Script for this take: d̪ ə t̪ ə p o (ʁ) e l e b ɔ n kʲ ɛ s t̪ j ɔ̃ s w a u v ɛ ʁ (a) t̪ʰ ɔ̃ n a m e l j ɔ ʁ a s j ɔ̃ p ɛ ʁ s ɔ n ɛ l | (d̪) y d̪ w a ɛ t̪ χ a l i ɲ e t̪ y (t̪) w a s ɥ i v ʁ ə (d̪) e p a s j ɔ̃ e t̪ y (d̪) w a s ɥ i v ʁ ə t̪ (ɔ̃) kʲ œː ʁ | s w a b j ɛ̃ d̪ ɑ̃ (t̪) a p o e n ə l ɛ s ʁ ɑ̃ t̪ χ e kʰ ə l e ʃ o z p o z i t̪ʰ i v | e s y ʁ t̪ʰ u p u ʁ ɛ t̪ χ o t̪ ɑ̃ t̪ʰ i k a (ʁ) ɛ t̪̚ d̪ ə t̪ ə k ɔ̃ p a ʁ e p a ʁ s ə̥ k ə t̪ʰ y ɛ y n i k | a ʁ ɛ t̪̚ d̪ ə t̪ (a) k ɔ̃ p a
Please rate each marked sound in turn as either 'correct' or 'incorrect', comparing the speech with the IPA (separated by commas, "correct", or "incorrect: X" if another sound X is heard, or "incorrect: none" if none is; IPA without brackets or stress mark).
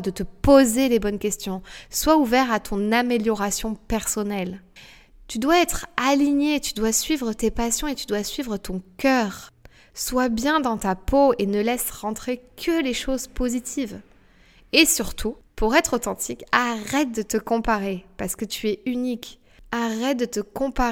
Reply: incorrect: z, correct, incorrect: t̪, incorrect: d̪, incorrect: t̪, correct, correct, correct, correct, incorrect: ə